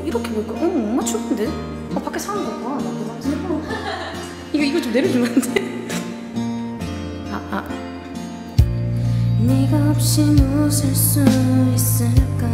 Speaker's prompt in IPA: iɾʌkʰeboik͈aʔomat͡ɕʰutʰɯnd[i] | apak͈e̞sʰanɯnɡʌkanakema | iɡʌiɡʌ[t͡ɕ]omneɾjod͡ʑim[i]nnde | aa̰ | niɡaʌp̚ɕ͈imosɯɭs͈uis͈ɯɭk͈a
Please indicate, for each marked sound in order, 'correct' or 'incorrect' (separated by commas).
incorrect, correct, incorrect